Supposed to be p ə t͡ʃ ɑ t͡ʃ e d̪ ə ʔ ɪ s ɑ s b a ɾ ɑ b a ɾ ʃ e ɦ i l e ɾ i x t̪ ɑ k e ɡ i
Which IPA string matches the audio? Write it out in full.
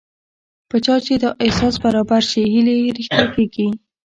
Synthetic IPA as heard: p ə t͡ʃ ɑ t͡ʃ e d̪ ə ʔ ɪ s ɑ s b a ɾ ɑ b a ɾ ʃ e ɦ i l e ɾ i x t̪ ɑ k e ɡ i